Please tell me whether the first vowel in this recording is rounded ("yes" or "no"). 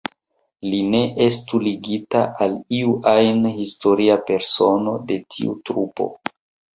no